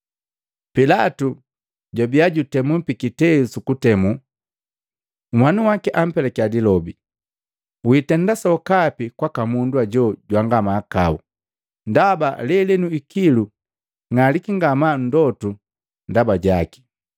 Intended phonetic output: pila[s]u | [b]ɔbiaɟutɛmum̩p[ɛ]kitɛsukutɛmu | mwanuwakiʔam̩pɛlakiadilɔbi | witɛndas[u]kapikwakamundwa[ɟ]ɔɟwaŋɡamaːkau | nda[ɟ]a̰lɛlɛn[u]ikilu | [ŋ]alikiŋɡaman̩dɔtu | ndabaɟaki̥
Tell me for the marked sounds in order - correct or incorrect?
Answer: incorrect, incorrect, incorrect, incorrect, correct, incorrect, correct, correct

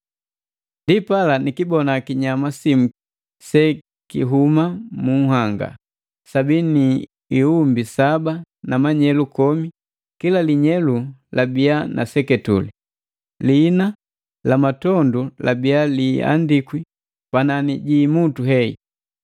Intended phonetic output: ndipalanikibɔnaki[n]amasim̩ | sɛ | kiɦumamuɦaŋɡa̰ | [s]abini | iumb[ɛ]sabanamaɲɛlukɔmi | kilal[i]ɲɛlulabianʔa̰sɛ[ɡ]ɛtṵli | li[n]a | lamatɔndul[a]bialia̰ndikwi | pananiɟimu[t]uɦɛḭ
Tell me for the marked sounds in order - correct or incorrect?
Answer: incorrect, correct, incorrect, correct, incorrect, correct, correct, correct

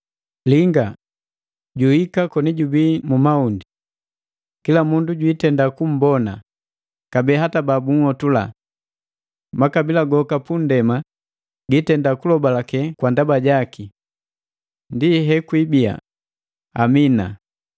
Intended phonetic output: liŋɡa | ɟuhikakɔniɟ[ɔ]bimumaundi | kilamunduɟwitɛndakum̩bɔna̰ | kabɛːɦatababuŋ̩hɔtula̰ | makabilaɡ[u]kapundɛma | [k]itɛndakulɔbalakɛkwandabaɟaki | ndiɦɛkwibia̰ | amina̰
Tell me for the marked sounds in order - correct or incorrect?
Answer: incorrect, incorrect, incorrect

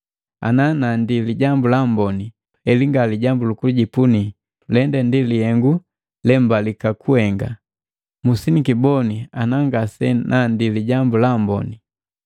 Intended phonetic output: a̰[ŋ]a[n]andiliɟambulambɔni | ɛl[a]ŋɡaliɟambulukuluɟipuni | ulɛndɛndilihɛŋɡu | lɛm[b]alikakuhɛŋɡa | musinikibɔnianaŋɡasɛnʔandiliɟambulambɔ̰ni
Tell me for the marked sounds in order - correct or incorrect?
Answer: incorrect, correct, incorrect, correct

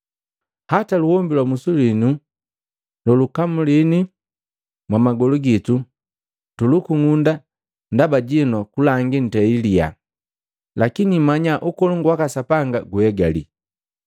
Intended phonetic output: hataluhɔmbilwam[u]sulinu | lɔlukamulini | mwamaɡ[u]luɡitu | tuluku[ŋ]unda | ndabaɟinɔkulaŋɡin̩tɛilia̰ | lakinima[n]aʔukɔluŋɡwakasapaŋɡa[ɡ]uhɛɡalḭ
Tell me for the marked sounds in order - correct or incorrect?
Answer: correct, incorrect, correct, incorrect, correct

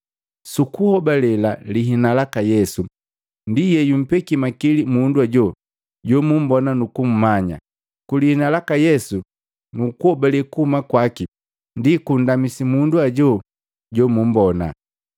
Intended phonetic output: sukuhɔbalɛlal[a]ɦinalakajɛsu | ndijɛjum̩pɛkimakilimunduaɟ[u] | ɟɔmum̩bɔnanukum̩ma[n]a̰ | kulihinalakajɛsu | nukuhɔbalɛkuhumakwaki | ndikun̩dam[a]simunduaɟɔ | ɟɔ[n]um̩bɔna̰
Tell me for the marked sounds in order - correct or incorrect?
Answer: incorrect, incorrect, incorrect, incorrect, incorrect

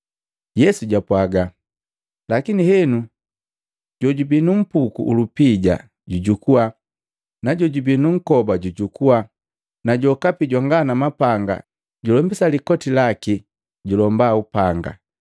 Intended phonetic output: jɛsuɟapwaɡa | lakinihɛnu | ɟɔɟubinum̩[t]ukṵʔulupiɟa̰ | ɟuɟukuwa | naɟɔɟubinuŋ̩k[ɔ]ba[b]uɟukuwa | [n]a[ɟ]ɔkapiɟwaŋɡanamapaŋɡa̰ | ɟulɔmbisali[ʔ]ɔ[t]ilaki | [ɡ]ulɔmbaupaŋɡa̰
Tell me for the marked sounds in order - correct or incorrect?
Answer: incorrect, correct, incorrect, correct, correct, incorrect, correct, incorrect

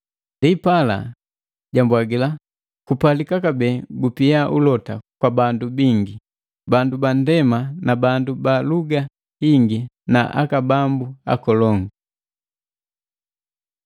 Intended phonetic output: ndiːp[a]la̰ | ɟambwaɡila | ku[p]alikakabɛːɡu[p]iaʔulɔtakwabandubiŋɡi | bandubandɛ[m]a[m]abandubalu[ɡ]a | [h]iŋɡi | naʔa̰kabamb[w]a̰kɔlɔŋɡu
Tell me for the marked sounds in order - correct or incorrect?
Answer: correct, correct, correct, correct, incorrect, correct, correct, incorrect

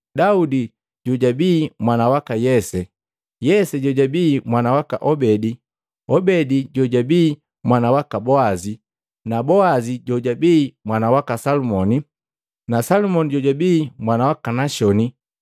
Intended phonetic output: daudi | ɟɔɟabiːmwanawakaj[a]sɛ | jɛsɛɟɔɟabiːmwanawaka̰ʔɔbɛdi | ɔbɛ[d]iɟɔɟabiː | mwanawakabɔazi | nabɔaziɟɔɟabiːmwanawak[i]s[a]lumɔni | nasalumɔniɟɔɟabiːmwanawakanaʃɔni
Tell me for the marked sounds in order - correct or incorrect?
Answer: incorrect, correct, incorrect, correct

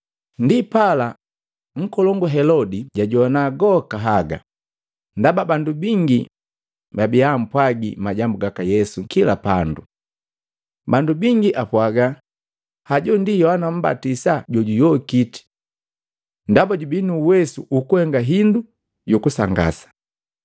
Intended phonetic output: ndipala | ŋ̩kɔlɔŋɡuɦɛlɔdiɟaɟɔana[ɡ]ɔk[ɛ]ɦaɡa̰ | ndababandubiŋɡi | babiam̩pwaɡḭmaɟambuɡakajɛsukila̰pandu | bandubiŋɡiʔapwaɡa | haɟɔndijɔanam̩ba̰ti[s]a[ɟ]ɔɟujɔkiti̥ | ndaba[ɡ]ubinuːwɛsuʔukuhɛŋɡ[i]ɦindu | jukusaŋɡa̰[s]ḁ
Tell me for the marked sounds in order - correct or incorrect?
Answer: correct, incorrect, correct, correct, incorrect, incorrect, correct

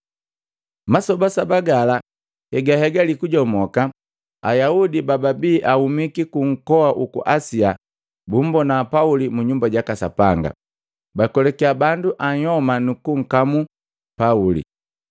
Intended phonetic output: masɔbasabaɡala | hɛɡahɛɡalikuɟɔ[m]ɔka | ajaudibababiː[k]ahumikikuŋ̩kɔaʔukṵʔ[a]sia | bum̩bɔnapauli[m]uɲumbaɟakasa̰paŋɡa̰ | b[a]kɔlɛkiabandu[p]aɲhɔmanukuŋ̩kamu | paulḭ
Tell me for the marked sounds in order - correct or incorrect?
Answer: correct, incorrect, correct, correct, correct, incorrect

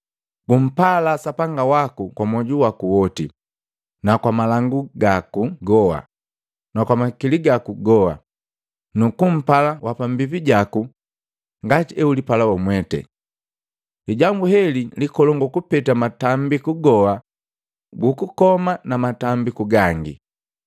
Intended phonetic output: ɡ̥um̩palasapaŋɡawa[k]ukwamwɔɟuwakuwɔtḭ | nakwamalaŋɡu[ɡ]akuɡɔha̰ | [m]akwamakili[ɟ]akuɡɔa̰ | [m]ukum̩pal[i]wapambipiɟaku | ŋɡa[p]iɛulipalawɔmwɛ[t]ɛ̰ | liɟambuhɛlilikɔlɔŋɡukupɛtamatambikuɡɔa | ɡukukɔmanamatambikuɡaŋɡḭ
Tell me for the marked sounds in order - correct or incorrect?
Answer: correct, correct, incorrect, incorrect, incorrect, incorrect, incorrect, correct

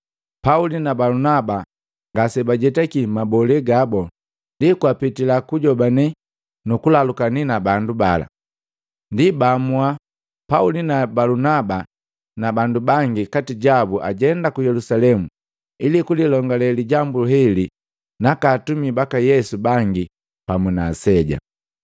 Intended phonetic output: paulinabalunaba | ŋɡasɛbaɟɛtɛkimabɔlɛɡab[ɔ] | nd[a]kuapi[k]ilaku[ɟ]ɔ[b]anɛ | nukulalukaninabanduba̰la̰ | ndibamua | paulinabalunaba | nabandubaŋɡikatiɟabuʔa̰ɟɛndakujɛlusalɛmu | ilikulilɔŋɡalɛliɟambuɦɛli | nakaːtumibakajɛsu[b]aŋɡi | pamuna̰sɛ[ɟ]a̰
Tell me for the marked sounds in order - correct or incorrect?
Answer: correct, incorrect, incorrect, correct, correct, correct, correct

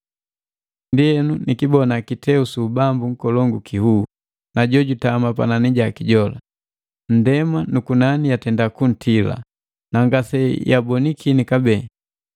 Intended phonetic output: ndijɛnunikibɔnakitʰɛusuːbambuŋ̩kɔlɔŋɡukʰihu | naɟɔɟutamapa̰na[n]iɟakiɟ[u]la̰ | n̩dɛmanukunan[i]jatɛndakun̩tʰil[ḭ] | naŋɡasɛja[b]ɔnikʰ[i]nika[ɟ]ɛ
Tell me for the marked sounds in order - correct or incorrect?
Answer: correct, incorrect, correct, incorrect, correct, correct, incorrect

